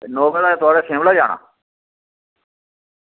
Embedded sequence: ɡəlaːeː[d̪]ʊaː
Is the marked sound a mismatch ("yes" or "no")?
yes